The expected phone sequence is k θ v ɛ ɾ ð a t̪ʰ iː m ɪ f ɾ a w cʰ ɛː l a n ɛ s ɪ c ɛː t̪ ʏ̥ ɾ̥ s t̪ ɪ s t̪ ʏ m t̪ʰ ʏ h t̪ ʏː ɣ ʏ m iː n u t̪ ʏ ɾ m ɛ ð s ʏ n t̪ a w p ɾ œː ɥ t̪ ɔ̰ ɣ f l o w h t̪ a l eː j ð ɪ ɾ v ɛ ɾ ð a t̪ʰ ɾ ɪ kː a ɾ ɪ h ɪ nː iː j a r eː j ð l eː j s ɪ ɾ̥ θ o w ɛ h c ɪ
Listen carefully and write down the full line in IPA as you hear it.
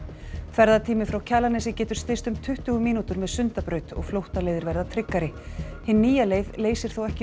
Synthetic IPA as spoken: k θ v ɛ ɾ ð a t̪ʰ iː m ɪ f ɾ a w cʰ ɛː l a n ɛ s ɪ c ɛː t̪ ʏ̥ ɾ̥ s t̪ ɪ s t̪ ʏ m t̪ʰ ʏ h t̪ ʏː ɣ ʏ m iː n u t̪ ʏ ɾ m ɛ ð s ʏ n t̪ a p ɾ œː ɥ t̪ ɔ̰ ɣ f l o w h t̪ a l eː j ð ɪ ɾ v ɛ ɾ ð a t̪ʰ ɾ ɪ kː a ɾ ɪ h ɪ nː iː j a l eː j ð l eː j s ɪ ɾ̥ θ o w ɛ h c ɪ

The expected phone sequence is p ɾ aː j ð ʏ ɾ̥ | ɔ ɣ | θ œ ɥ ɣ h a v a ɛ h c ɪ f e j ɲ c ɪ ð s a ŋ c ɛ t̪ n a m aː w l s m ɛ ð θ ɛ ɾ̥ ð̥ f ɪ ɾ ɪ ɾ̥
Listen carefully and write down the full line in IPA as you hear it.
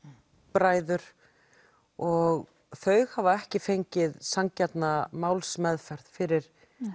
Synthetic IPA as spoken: p ɾ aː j ð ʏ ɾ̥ | ɔ ɣ | θ œ ɥ ɣ h a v a ɛ h c ɪ f e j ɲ c ɪ ð s a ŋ c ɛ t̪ n a m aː w l s m ɛ ð f ɛ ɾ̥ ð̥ f ɪ ɾ ɪ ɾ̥

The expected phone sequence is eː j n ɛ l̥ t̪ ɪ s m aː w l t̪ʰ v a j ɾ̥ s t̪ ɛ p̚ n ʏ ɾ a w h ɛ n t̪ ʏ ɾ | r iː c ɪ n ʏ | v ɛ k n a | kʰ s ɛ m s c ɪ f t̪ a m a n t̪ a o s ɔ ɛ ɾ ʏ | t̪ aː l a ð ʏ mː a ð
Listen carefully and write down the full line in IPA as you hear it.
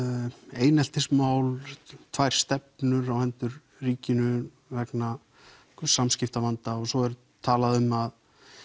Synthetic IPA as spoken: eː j n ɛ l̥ t̪ ɪ s m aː w l t̪ʰ v a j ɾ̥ s t̪ ɛ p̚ n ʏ ɾ a w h ɛ n t̪ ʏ ɾ | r iː c ɪ n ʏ | v ɛ k n a | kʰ s a m s c ɪ f t̪ a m a n t̪ a ɔ s ɔ ɛ ɾ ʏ | t̪ʰ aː l a ð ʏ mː a ð

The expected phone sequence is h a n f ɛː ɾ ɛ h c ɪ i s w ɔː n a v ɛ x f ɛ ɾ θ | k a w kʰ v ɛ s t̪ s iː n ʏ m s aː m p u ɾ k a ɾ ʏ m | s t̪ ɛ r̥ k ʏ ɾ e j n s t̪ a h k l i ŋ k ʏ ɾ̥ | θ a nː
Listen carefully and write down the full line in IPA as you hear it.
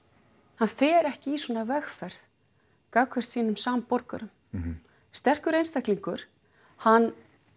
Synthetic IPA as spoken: h a n f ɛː ɾ ɛ h c ɪ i s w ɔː n a v ɛ x f ɛ ɾ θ | k a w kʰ v ɛ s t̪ s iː n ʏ m s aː m p ɔ ɾ k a ɾ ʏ m | s t̪ ɛ r̥ k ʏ ɾ e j n s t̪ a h k l i ŋ k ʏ ɾ̥ | h a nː

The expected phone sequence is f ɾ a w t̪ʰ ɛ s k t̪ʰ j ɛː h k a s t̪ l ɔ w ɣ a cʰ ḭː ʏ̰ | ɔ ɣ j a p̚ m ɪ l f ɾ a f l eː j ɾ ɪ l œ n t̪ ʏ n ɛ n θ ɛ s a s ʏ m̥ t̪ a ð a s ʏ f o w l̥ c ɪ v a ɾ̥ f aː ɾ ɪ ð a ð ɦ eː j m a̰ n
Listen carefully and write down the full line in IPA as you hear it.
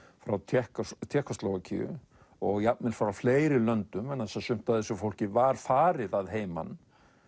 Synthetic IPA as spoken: f ɾ a w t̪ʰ ɛ h k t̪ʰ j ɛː h k a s t̪ l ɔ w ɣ a cʰ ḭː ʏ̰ | ɔ ɣ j a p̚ m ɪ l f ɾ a f l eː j ɾ ɪ l œ n t̪ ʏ m ɛ n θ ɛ s a s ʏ m̥ t̪ a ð ɛ s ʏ f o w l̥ c ɪ v a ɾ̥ f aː ɾ ɪ ð a ð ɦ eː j m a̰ n

